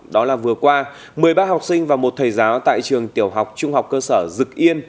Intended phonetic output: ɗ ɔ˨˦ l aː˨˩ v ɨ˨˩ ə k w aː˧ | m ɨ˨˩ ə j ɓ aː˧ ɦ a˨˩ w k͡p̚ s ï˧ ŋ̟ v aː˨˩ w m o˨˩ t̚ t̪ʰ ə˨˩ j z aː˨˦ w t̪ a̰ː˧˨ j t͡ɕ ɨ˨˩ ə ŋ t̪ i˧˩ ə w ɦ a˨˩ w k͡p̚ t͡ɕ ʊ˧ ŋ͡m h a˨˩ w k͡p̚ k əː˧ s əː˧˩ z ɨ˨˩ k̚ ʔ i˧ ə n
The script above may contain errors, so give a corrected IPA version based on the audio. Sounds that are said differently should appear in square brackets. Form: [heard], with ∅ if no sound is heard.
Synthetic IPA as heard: ɗ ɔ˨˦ l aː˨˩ v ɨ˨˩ ə k w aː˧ | m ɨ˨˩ ə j ɓ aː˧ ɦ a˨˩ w k͡p̚ s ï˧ ŋ̟ v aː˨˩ w m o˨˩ t̚ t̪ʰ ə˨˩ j z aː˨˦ w t̪ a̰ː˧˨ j t͡ɕ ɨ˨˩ ə ŋ t̪ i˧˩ ə w ɦ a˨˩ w k͡p̚ t͡ɕ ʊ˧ ŋ͡m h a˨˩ w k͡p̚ k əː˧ s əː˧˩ z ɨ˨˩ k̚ ʔ i˧ ə n

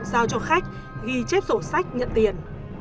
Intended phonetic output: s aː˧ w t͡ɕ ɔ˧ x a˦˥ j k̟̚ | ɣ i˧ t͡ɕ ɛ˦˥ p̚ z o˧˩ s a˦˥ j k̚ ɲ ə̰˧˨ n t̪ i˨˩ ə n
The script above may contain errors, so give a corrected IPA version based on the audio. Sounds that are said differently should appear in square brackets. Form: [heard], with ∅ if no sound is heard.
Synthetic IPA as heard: [z] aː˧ w t͡ɕ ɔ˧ x a˦˥ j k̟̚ | ɣ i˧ t͡ɕ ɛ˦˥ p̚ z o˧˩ s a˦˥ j k̚ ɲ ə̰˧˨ n t̪ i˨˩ ə n

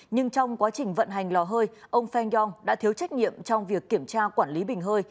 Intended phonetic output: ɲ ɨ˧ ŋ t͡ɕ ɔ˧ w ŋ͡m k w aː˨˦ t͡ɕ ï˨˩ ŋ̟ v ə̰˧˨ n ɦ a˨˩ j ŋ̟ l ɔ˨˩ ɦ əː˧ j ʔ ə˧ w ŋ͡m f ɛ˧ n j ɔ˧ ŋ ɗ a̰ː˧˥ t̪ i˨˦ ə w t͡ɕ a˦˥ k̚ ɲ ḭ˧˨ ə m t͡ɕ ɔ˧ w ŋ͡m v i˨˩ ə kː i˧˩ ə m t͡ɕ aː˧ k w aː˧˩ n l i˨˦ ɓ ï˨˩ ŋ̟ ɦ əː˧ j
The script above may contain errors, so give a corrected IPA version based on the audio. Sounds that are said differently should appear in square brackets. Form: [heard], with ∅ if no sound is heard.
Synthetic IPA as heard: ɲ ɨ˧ ŋ t͡ɕ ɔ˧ w ŋ͡m k w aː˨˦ t͡ɕ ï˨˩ ŋ̟ v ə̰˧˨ n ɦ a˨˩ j ŋ̟ l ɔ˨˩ ɦ əː˧ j ʔ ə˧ w ŋ͡m f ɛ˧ n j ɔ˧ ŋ ɗ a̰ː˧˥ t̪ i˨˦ ə w t͡ɕ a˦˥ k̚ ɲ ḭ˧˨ ə m t͡ɕ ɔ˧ w ŋ͡m v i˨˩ ə kː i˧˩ ə m t͡ɕ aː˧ k w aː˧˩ n l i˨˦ ɓ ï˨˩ ŋ̟ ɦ əː˧ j

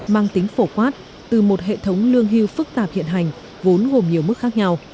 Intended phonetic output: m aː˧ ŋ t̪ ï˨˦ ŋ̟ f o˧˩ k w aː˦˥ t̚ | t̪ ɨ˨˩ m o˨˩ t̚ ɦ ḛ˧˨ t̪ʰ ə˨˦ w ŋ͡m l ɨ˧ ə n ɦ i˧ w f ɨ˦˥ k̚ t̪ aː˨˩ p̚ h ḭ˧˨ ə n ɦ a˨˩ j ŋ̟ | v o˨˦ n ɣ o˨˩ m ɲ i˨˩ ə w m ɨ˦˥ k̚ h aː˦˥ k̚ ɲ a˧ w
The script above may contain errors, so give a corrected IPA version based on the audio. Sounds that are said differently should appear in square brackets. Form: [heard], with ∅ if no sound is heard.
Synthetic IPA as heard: m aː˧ ŋ t̪ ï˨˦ ŋ̟ f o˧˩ k w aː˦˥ t̚ | t̪ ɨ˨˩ m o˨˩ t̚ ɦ ḛ˧˨ t̪ʰ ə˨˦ w ŋ͡m l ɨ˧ ə [ŋ] ɦ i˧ w f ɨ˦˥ k̚ t̪ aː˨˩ p̚ h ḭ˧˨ ə n ɦ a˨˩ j ŋ̟ | v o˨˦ n ɣ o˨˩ m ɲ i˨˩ ə w m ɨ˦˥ k̚ [x] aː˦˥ k̚ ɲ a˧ w

